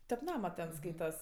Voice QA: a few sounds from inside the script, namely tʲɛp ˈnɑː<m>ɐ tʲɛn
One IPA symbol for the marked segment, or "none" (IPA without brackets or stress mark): m